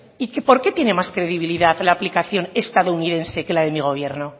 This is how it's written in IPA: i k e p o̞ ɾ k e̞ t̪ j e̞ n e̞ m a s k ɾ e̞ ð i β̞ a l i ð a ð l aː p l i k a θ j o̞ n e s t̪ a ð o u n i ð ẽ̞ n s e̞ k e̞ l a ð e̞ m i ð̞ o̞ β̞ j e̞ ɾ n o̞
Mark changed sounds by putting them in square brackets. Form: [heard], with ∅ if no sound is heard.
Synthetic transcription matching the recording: i k e p o̞ ɾ k e̞ t̪ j e̞ n e̞ m a s k ɾ e̞ ð i β̞ [i] l i ð a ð l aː p l i k a θ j o̞ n e s t̪ a ð o u n i ð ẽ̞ n s e̞ k e̞ l a ð e̞ m i [ɣ̞] o̞ β̞ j e̞ ɾ n o̞

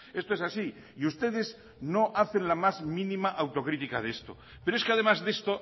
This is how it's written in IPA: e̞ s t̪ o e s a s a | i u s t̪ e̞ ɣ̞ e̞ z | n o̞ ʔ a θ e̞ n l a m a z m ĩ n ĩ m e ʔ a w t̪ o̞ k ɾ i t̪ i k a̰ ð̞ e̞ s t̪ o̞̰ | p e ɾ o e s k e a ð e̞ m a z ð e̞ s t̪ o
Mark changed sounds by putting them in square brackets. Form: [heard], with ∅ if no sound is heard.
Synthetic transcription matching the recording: e̞ s t̪ o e s a s [i] | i u s t̪ e̞ [ð̞] e̞ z | n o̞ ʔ a θ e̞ n l a m a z m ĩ n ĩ m [a] ʔ a w t̪ o̞ k ɾ i t̪ i k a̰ ð̞ e̞ s t̪ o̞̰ | p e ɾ o e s k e a ð e̞ m a z ð e̞ s t̪ o

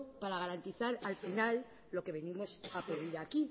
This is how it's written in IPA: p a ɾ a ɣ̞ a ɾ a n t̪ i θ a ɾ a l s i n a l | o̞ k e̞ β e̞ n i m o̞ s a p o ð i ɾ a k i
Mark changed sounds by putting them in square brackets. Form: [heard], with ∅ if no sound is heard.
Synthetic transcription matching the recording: p a ɾ a ɣ̞ a ɾ a n t̪ i θ a ɾ a l [f] i n a [lː] | o̞ k e̞ β e̞ n i m o̞ s a p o ð i ɾ a k i

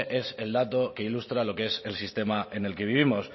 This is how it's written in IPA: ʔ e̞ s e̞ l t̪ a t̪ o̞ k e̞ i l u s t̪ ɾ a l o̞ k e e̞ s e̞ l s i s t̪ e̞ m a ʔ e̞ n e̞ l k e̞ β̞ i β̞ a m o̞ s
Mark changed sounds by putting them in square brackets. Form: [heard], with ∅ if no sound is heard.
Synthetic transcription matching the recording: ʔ e̞ s e̞ l [d̪] a t̪ o̞ k e̞ i l u s t̪ ɾ a l o̞ k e e̞ s e̞ l s i s t̪ e̞ m a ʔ e̞ n e̞ l k e̞ β̞ i β̞ [i] m o̞ s

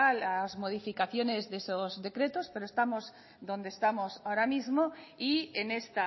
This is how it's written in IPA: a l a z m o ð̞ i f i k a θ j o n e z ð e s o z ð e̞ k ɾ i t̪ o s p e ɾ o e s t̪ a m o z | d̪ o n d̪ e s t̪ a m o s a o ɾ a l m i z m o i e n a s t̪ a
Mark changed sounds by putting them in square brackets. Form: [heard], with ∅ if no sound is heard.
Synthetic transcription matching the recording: a l a z m o ð̞ i f i k a θ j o n e z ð e s o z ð e̞ k ɾ [e] t̪ o s p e ɾ o e s t̪ a m o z | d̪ o n d̪ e s t̪ a m o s a o ɾ a [∅] m i z m o i e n [e] s t̪ a

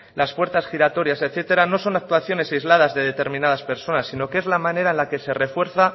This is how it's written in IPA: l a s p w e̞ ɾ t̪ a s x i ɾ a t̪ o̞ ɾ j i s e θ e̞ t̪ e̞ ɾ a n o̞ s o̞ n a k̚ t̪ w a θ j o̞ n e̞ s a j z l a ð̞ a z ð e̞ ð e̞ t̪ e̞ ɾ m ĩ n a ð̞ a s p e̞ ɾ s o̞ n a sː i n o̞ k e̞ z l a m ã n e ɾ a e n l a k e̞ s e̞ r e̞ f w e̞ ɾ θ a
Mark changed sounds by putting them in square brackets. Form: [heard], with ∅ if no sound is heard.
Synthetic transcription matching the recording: l a s p w e̞ ɾ t̪ a s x i ɾ a t̪ o̞ ɾ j [a] s e θ e̞ t̪ e̞ ɾ a n o̞ s o̞ n a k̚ t̪ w a θ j o̞ n e̞ s a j z l a ð̞ a z ð e̞ ð e̞ t̪ e̞ ɾ m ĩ n a ð̞ a s p e̞ ɾ s o̞ n a sː i n o̞ k e̞ z l a m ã n e ɾ a e n l a k e̞ s e̞ r e̞ f w e̞ ɾ θ a

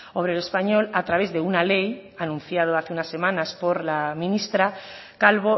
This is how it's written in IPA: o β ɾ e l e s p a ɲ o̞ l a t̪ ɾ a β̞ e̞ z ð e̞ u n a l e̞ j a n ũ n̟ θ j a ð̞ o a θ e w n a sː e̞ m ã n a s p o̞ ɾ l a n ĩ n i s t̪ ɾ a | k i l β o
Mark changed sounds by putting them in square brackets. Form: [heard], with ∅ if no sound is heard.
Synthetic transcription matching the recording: o β ɾ e l e s p a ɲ o̞ l a t̪ ɾ a β̞ e̞ z ð e̞ u n a l e̞ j a n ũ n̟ θ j a ð̞ o a θ e [u] n a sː e̞ m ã n a s p o̞ ɾ l a [m] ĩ n i s t̪ ɾ a | k [a] l β o

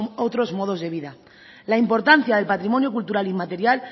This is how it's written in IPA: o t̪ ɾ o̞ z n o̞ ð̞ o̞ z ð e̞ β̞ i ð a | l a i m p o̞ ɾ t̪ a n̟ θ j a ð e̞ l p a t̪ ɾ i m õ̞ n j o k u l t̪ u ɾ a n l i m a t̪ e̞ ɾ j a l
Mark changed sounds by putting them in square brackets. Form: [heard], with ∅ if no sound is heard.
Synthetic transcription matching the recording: o t̪ ɾ o̞ z [m] o̞ ð̞ o̞ z ð e̞ β̞ i ð a | l a i m p o̞ ɾ t̪ a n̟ θ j a ð e̞ l p a t̪ ɾ i m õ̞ n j o k u l t̪ u ɾ a [∅] l i m a t̪ e̞ ɾ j a l

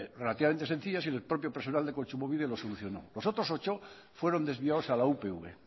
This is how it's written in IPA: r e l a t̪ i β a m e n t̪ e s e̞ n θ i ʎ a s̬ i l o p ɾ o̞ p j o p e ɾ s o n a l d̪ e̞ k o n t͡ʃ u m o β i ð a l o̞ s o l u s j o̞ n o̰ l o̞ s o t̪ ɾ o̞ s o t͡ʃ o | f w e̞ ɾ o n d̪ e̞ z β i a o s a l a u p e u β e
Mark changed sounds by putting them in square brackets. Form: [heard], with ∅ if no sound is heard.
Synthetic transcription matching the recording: r e l a t̪ i β a m e n t̪ e s e̞ n θ i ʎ a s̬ i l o p ɾ o̞ p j o p e ɾ s o n a l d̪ e̞ k o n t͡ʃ u m o β i ð [e] l o̞ s o l u [θ] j o̞ n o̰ l o̞ s o t̪ ɾ o̞ s o t͡ʃ o | f w e̞ ɾ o n d̪ e̞ z β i a o s a l a u p e u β e

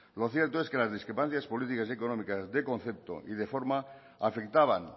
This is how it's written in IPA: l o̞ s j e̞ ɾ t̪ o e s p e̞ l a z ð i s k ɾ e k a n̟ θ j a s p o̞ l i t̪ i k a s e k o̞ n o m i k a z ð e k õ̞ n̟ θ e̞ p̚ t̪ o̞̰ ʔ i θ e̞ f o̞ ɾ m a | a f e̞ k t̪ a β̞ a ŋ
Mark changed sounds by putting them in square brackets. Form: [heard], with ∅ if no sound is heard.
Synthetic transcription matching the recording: l o̞ [θ] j e̞ ɾ t̪ o e s [k] e̞ l a z ð i s k ɾ e [p] a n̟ θ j a s p o̞ l i t̪ i k a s e k o̞ n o m i k a z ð e k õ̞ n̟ θ e̞ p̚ t̪ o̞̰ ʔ i [ð] e̞ f o̞ ɾ m a | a f e̞ k t̪ a β̞ a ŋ

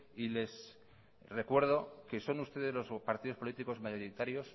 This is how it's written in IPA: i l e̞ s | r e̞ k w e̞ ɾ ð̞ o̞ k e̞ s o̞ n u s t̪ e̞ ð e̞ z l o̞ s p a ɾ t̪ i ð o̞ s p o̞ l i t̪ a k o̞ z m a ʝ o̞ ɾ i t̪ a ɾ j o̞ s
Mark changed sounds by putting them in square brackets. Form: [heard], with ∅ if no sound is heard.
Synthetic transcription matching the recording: i l e̞ s | r e̞ k w e̞ ɾ ð̞ o̞ k e̞ s o̞ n u s t̪ e̞ ð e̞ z l o̞ s p a ɾ t̪ i ð o̞ s p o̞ l i t̪ [i] k o̞ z m a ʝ o̞ ɾ i t̪ a ɾ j o̞ s

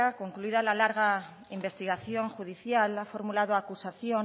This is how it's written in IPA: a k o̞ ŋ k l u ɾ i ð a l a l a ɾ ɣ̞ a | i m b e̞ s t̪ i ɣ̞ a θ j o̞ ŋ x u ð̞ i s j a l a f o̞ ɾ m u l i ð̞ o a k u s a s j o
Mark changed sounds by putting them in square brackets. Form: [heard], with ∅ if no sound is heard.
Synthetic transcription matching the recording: a k o̞ ŋ k l u [∅] i ð a l a l a ɾ ɣ̞ a | i m b e̞ s t̪ i ɣ̞ a θ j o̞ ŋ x u ð̞ i [θ] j a l a f o̞ ɾ m u l [a] ð̞ o a k u s a [θ] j o

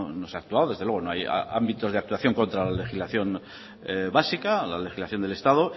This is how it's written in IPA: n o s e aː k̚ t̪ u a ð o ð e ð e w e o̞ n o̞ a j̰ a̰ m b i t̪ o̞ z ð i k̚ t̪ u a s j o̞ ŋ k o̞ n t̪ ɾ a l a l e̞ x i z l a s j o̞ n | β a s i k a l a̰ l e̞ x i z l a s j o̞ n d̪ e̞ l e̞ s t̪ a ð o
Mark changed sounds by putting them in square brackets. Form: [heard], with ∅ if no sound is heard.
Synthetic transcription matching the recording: n o s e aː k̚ t̪ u a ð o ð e ð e w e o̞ n o̞ a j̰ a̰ m b i t̪ o̞ z ð [a] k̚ t̪ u a [θ] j o̞ ŋ k o̞ n t̪ ɾ a l a l e̞ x i z l a [θ] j o̞ n | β a s i k a l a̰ l e̞ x i z l a [θ] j o̞ n d̪ e̞ l e̞ s t̪ a ð o

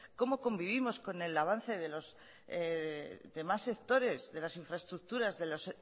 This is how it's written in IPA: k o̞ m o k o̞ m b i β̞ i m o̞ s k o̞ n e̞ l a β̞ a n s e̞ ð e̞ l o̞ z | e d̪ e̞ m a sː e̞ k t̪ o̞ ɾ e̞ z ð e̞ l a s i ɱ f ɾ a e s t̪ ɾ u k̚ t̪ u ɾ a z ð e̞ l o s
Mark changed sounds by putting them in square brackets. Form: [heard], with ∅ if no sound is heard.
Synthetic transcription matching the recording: k o̞ m o k o̞ m b i β̞ i m o̞ s k o̞ n e̞ l a β̞ a n [θ] e̞ ð e̞ l o̞ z | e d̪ e̞ m a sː e̞ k t̪ o̞ ɾ e̞ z ð e̞ l a s i ɱ f ɾ a e s t̪ ɾ u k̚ t̪ u ɾ a z ð e̞ l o s

